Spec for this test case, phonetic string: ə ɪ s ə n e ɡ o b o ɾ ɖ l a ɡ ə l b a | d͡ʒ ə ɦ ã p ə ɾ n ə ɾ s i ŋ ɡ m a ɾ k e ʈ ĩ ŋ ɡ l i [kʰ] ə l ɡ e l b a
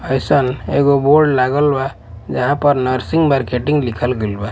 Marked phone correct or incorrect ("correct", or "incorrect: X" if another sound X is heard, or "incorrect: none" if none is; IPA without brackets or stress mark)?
correct